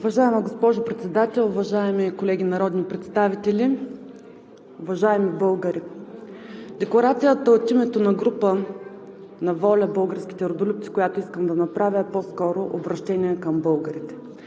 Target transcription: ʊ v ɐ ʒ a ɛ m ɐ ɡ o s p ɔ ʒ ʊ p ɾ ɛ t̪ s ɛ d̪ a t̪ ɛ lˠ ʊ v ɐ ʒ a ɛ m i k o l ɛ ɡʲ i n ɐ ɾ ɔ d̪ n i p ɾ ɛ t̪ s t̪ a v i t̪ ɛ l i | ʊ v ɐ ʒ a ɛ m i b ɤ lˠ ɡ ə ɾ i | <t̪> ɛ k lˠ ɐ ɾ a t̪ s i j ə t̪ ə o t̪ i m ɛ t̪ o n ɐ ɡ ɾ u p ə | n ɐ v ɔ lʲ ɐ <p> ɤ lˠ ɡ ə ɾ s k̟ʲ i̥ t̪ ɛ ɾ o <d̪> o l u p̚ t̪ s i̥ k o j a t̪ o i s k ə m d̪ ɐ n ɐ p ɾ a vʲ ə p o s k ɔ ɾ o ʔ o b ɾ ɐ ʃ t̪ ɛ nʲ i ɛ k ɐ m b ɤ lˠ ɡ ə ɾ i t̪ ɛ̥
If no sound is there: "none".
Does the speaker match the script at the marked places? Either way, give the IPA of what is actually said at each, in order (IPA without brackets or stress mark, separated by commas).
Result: d̪, b, d̪